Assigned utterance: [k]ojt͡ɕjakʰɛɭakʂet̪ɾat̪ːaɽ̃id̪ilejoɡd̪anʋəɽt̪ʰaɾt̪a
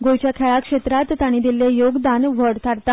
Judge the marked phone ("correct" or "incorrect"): incorrect